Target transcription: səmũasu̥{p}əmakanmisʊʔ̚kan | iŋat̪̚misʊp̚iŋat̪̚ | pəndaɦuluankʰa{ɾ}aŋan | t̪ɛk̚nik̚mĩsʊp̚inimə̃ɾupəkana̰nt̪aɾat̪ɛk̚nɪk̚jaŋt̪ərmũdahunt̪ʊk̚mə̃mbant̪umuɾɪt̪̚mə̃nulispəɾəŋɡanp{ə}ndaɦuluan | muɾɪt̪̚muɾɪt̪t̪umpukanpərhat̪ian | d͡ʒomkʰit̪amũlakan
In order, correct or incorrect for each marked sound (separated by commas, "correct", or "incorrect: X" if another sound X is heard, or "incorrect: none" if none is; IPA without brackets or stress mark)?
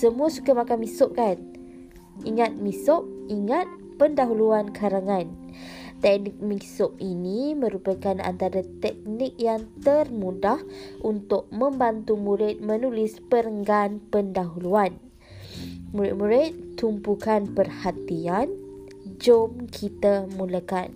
incorrect: k, correct, correct